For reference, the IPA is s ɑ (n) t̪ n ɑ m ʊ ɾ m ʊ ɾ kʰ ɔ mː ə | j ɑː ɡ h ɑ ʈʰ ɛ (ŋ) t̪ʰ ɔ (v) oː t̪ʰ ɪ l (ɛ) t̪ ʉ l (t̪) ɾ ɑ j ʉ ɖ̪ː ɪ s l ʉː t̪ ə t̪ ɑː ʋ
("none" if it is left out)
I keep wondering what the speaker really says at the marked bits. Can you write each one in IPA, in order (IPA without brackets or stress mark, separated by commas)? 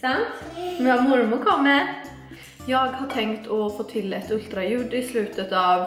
n, ŋ, f, ɛ, t̪